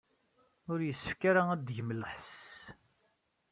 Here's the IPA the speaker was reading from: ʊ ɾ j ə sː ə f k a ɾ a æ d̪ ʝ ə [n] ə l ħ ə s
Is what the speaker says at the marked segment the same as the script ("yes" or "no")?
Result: no